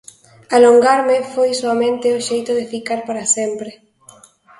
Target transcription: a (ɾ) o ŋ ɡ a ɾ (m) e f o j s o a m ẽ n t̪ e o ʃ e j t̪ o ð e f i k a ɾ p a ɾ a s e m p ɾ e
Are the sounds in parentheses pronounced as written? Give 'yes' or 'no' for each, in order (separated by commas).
no, yes